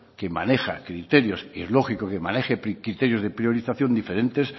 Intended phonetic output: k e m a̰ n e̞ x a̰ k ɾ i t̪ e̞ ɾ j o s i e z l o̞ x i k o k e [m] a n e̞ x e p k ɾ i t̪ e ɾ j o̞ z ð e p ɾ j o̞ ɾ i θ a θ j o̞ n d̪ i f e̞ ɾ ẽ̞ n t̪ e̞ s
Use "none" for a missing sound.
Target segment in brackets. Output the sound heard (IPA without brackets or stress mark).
m